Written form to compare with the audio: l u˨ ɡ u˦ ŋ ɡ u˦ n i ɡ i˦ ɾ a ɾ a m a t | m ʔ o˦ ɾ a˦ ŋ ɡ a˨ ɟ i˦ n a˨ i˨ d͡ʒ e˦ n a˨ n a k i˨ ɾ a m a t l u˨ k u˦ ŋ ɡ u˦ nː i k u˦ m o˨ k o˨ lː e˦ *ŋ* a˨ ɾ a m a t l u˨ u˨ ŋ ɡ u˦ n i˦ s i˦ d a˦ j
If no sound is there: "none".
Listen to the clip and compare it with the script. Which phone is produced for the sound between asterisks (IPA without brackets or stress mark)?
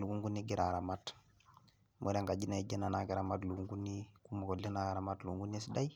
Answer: n